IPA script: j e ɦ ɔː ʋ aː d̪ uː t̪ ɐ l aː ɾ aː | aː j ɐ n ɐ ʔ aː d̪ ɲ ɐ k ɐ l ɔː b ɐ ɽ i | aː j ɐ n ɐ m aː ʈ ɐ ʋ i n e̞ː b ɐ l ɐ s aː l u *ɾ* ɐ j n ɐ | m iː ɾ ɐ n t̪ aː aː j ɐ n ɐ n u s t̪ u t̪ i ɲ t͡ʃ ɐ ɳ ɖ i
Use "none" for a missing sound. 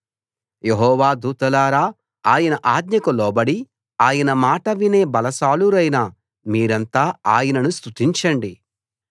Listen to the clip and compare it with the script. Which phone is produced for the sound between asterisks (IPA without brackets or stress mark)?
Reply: ɾ